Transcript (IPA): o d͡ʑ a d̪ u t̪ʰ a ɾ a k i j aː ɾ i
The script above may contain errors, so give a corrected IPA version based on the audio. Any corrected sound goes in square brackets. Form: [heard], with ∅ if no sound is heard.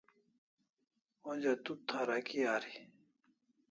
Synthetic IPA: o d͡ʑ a [t̪] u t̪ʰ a ɾ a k i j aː ɾ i